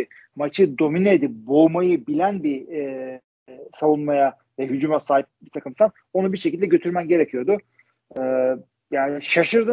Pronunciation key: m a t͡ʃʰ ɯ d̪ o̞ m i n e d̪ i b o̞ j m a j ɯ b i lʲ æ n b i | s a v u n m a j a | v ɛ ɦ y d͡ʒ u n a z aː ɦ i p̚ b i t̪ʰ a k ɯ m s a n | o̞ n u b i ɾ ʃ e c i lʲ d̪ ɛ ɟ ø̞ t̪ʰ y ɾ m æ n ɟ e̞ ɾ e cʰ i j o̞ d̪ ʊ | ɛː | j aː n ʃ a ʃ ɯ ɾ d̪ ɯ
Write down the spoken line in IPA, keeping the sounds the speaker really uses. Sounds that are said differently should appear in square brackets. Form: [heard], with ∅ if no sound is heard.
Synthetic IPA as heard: m a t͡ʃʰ ɯ d̪ o̞ m i n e d̪ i b o̞ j m a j ɯ b i lʲ æ n b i | s a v u n m a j a | v ɛ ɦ y d͡ʒ u [m] a [s] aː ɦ i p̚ b i t̪ʰ a k ɯ m s a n | o̞ n u b i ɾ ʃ e c i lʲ d̪ ɛ ɟ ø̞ t̪ʰ y ɾ m æ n ɟ e̞ ɾ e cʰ i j o̞ d̪ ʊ | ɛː | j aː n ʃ a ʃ ɯ ɾ d̪ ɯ